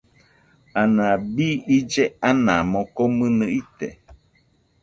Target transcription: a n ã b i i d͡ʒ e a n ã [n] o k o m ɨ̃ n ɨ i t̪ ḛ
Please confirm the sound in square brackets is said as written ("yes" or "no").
no